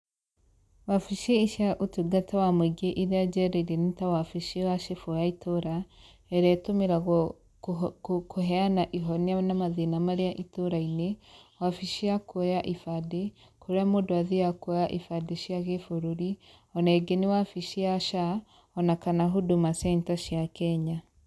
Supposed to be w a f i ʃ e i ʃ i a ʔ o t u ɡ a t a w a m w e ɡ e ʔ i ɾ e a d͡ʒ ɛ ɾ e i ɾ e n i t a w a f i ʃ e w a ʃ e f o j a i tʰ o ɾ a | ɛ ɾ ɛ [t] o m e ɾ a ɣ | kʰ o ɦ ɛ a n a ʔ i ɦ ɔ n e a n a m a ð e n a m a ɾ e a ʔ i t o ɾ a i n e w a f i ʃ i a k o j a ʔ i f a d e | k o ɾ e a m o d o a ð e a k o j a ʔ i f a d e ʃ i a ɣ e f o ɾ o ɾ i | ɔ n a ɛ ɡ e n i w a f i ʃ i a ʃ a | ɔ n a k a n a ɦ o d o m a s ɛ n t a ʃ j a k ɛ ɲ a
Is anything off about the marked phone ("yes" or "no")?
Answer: no